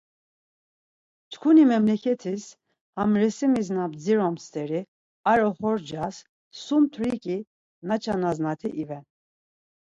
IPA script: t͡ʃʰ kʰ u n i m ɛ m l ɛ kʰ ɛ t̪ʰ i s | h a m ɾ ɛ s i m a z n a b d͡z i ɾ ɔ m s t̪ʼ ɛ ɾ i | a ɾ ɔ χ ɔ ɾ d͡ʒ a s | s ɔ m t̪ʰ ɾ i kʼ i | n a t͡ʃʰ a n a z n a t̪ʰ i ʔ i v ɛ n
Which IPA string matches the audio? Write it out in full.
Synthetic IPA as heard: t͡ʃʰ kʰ u n i m ɛ m l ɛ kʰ ɛ t̪ʰ i s | h a m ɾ ɛ s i m i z n a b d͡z i ɾ ɔ m s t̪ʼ ɛ ɾ i | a ɾ ɔ χ ɔ ɾ d͡ʒ a s | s u m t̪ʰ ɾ i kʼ i | n a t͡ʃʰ a n a z n a t̪ʰ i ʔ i v ɛ n